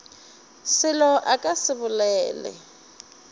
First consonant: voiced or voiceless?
voiceless